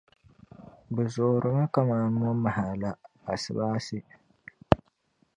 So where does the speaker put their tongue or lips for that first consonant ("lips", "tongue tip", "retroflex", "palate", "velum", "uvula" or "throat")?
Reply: lips